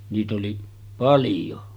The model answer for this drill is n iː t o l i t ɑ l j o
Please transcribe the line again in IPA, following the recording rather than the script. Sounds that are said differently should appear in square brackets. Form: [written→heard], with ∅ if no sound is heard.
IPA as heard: n iː t o l i [t→p] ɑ l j o